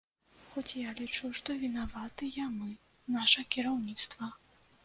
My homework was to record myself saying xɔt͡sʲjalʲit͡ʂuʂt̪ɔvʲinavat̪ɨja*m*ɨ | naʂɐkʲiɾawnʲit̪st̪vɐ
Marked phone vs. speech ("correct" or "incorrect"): correct